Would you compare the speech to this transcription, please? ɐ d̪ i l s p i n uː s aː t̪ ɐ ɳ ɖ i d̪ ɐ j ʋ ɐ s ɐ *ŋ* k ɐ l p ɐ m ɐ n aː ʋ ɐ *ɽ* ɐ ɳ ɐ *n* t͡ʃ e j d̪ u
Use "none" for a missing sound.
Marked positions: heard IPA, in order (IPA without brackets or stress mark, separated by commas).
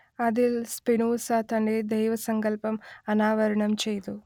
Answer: ŋ, ɾ, m